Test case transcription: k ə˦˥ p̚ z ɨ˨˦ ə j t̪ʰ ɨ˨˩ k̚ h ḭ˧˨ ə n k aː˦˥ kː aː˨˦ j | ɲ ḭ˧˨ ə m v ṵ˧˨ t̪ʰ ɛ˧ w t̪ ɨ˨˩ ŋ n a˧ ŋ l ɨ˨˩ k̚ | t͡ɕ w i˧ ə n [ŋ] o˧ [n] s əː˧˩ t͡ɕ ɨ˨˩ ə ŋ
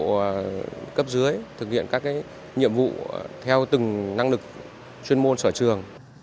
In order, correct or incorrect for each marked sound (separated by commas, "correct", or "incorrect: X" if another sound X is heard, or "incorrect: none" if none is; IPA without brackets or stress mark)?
incorrect: m, correct